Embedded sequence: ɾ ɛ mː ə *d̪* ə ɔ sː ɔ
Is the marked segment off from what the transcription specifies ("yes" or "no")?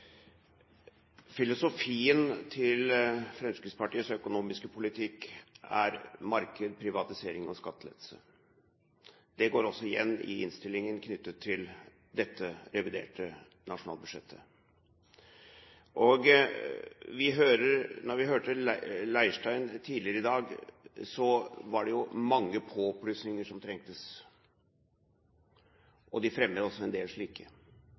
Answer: no